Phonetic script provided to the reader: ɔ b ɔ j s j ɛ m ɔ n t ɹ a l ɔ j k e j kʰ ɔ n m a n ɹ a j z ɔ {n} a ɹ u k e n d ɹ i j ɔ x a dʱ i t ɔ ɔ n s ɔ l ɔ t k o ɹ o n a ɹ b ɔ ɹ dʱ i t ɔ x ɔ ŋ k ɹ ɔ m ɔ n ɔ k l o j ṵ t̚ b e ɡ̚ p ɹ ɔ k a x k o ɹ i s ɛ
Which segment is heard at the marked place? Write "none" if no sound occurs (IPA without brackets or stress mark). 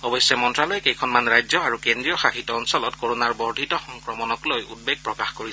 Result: none